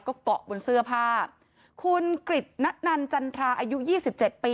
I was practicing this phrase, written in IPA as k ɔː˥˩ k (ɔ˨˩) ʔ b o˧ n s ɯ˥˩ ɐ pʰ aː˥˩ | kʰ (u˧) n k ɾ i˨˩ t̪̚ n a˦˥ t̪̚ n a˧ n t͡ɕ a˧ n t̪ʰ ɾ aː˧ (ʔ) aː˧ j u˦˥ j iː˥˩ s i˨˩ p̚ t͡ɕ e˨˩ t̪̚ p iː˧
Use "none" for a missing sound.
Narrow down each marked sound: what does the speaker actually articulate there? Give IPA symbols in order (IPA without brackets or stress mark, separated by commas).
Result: ɔ˨˩, u˧, ʔ